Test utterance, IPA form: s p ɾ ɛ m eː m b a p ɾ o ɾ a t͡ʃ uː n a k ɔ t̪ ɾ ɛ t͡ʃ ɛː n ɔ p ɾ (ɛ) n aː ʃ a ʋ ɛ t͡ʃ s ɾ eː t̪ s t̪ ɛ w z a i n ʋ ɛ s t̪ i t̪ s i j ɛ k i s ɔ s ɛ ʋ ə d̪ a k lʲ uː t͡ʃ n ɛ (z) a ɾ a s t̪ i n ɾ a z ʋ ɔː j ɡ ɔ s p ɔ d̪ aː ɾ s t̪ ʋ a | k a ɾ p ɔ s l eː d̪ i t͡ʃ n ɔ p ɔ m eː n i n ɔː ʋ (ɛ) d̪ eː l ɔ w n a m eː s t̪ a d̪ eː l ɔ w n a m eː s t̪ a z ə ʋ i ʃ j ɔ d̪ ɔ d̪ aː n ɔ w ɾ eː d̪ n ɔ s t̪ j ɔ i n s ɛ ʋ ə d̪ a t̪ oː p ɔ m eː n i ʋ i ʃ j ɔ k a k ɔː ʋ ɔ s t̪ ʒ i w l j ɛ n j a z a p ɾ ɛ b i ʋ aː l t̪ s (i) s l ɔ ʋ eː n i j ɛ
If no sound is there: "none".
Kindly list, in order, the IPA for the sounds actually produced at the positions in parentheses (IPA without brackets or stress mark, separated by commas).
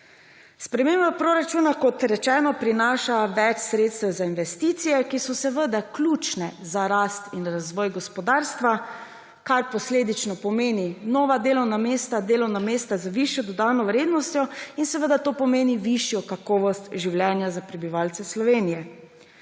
i, z, a, ɛ